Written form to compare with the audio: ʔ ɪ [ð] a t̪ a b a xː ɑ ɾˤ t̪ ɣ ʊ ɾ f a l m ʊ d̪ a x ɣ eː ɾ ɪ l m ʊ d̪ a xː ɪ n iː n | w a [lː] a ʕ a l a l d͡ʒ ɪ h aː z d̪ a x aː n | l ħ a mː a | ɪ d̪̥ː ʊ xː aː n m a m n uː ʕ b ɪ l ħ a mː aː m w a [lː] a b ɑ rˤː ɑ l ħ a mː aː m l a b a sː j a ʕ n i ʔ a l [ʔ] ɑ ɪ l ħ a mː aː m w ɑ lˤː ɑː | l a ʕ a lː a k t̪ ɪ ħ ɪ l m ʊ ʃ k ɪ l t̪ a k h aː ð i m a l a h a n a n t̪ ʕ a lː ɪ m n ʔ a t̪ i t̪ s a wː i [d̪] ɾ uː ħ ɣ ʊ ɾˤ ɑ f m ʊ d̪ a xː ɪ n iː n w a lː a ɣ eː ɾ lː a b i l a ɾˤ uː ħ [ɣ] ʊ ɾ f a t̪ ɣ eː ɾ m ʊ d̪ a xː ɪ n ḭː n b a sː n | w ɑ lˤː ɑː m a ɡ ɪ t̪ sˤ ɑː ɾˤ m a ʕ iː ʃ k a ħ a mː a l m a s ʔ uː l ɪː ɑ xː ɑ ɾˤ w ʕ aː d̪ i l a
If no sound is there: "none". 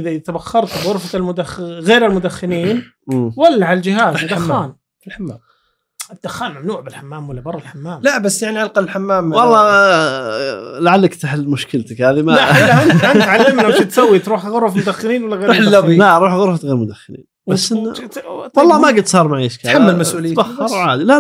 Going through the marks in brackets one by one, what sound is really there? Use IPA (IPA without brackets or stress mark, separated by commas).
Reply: ð, lː, lː, q, t̪, ɣ